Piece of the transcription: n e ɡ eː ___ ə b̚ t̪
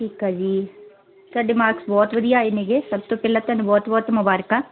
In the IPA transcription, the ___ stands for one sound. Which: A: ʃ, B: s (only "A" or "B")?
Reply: B